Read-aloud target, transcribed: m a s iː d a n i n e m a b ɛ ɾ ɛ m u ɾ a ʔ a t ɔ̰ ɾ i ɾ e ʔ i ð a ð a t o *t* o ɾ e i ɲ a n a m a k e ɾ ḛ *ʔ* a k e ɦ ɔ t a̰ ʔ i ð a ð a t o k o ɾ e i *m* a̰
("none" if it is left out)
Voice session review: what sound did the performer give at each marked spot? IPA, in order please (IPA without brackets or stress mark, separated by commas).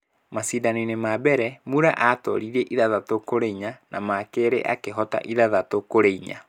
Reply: k, ʔ, ɲ